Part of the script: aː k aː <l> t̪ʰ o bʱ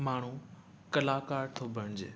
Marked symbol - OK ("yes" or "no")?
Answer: no